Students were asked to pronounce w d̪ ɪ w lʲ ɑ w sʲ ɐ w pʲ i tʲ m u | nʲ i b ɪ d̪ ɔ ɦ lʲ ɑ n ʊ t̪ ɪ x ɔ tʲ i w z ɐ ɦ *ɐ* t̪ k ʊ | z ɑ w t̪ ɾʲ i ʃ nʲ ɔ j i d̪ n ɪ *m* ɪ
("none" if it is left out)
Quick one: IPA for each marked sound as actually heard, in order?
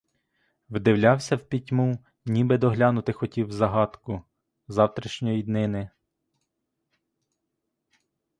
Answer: ɑ, n

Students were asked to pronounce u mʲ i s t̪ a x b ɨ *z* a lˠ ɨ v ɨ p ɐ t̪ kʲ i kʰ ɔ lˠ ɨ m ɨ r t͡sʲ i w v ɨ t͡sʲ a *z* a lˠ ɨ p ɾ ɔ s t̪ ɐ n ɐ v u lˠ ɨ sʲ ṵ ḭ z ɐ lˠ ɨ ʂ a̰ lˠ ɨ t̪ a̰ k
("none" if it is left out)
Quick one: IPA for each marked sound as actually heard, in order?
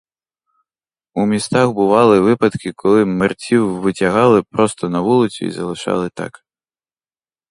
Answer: v, ɣ

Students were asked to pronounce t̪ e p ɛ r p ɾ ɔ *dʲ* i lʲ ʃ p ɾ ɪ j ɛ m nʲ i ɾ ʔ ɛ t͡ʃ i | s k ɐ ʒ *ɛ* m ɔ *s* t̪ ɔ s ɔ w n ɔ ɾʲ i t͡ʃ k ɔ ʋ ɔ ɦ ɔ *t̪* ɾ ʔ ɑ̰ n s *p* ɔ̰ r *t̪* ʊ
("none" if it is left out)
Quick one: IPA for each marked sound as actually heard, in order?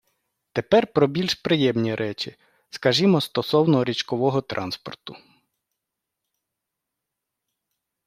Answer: bʲ, i, s, t̪, p, t̪

